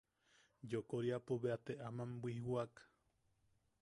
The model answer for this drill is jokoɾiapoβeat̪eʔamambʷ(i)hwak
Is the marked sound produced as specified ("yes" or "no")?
yes